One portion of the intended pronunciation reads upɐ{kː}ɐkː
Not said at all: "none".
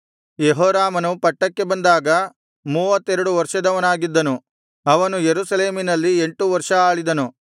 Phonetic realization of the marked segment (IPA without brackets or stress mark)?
ʈː